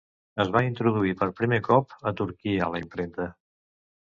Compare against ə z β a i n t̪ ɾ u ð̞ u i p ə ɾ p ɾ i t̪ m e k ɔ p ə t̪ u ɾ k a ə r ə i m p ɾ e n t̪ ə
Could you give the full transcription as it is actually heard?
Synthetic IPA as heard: ə z β a i n t̪ ɾ u ð̞ u i p ə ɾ p ɾ i m e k ɔ p ə t̪ u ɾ k i ə l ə i m p ɾ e n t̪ ə